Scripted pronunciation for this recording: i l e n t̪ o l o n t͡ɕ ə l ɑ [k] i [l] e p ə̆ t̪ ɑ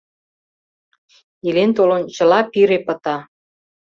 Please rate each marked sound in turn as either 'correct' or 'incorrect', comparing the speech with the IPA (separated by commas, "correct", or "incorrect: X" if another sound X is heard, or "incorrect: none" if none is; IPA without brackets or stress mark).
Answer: incorrect: p, incorrect: ɾ